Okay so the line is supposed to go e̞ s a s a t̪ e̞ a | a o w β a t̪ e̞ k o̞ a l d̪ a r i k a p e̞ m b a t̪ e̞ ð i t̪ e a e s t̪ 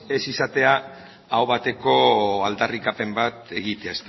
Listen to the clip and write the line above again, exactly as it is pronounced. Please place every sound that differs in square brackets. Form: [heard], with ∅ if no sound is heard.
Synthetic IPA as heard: e̞ s [i] s a t̪ e̞ a | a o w β a t̪ e̞ k o̞ a l d̪ a r i k a p e̞ m b a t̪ e̞ [ɣ] i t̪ e a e s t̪